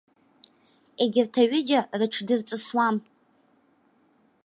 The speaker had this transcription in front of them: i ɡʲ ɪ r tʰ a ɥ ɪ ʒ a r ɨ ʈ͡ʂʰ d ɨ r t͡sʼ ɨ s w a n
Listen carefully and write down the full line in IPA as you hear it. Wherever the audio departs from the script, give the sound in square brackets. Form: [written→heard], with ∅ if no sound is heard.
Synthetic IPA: [i→e] ɡʲ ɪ r tʰ a ɥ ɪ [ʒ→d͡ʒ] a r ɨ ʈ͡ʂʰ d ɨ r t͡sʼ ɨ s w a [n→m]